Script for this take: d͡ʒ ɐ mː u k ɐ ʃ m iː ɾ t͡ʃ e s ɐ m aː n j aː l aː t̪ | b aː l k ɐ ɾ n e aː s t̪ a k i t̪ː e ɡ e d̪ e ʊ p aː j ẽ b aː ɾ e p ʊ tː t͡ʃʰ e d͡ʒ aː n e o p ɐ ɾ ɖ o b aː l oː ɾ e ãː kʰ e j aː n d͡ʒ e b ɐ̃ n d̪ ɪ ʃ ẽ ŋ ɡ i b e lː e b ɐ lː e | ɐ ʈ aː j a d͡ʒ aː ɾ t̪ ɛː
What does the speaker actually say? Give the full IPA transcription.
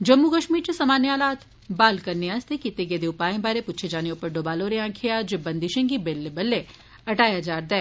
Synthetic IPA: d͡ʒ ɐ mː u k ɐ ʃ m iː ɾ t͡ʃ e s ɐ m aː n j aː l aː t̪ | b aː l k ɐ ɾ n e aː s t̪ e k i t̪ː e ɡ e d̪ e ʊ p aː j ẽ b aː ɾ e p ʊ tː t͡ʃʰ e d͡ʒ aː n e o p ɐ ɾ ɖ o b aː l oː ɾ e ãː kʰ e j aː d͡ʒ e b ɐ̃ n d̪ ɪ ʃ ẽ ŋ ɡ i b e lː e b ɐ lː e | ɐ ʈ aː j a d͡ʒ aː ɾ d̪ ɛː